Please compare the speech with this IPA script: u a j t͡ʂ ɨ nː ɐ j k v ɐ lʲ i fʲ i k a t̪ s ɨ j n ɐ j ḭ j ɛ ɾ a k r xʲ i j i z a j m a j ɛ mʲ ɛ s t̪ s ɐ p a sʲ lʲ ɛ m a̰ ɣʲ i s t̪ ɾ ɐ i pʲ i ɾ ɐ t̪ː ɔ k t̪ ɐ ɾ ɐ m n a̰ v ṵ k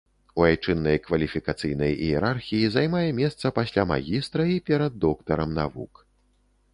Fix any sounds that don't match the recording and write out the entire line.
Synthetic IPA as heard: u a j t͡ʂ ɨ nː ɐ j k v ɐ lʲ i fʲ i k a t̪ s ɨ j n ɐ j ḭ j ɛ ɾ a r xʲ i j i z a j m a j ɛ mʲ ɛ s t̪ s ɐ p a sʲ lʲ a m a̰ ɣʲ i s t̪ ɾ ɐ i pʲ ɛ ɾ ɐ d̪ː ɔ k t̪ ɐ ɾ ɐ m n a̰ v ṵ k